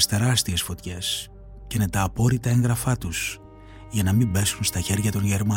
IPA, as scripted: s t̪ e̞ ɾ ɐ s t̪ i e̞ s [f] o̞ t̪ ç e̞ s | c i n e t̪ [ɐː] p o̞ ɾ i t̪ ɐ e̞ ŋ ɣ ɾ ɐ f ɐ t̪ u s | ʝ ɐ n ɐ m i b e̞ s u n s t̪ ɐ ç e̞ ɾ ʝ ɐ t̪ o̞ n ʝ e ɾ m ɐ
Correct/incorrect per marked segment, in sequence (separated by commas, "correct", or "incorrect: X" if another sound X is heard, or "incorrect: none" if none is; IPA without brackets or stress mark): correct, correct